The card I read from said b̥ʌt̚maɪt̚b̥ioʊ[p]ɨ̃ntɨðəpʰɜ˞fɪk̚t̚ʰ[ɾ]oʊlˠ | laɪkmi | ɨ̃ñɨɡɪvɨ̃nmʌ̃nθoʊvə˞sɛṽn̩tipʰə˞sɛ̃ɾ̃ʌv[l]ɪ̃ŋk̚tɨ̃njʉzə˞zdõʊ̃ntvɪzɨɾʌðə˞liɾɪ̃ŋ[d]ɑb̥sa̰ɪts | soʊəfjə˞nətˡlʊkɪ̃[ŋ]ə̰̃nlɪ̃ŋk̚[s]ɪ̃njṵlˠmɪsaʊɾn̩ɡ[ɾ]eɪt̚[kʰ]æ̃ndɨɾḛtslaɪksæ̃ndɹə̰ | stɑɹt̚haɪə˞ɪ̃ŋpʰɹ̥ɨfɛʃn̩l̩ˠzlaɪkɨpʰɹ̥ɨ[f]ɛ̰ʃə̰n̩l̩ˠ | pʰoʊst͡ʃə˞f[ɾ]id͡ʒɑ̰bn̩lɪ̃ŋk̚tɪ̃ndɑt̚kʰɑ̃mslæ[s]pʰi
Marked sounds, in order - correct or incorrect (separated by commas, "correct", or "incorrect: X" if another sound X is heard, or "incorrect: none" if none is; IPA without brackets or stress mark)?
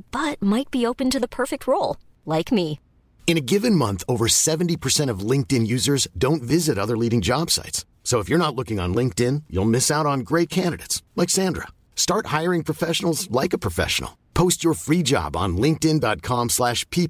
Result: correct, incorrect: ɹ, correct, incorrect: d͡ʒ, correct, incorrect: t, incorrect: ɹ, correct, correct, incorrect: ɹ, incorrect: ʃ